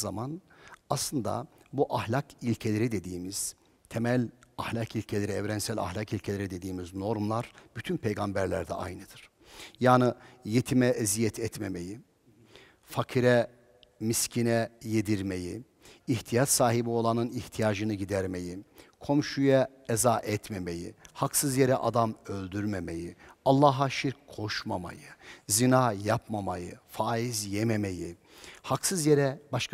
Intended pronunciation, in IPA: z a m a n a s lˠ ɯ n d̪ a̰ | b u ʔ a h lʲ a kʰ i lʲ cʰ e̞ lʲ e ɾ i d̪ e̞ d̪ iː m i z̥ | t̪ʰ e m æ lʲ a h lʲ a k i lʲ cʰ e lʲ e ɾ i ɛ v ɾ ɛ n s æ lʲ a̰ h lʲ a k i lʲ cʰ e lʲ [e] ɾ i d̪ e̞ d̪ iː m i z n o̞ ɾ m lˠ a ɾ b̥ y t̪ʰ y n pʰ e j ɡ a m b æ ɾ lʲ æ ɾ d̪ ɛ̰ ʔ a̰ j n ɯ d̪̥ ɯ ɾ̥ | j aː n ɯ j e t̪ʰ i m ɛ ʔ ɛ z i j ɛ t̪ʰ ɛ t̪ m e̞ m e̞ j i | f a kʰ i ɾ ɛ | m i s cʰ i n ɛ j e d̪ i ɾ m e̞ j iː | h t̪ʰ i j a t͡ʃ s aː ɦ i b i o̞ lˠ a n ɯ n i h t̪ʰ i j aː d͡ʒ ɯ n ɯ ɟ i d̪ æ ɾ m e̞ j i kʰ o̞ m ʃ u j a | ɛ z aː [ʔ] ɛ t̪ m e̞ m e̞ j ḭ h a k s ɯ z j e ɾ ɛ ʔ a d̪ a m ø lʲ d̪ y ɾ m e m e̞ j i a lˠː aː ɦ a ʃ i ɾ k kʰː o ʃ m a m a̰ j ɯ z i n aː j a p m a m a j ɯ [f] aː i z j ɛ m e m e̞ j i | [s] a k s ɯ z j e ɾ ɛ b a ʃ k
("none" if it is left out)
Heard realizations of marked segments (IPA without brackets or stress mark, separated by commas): e, ʔ, f, h